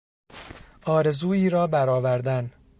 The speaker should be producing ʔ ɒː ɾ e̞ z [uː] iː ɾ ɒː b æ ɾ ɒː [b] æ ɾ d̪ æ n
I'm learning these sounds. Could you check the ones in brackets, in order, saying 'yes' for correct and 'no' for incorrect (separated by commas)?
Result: yes, no